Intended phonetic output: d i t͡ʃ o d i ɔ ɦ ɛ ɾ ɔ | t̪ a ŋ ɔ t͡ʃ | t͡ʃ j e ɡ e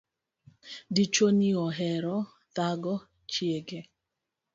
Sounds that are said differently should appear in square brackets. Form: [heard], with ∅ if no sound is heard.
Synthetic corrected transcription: d i t͡ʃ o [n] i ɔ ɦ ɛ ɾ ɔ | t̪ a [ɡ] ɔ [∅] | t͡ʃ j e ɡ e